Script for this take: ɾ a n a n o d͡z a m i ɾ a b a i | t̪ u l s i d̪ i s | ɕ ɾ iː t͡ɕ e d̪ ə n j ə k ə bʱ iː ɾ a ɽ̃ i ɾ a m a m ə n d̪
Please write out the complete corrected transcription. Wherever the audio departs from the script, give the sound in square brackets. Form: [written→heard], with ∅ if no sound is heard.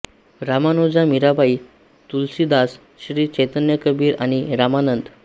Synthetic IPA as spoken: ɾ a [n→m] a n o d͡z a m i ɾ a b a i | t̪ u l s i d̪ [i→a] s | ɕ ɾ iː t͡ɕ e [d̪→t̪] ə n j ə k ə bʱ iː ɾ a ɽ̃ i ɾ a m a [m→n] ə n d̪